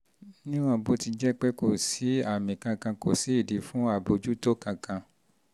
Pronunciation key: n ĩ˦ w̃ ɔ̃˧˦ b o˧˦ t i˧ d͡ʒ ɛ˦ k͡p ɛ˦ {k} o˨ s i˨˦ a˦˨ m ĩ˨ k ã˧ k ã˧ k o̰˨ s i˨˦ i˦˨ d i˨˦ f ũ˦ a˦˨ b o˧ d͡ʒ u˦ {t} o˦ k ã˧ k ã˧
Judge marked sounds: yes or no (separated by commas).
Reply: yes, yes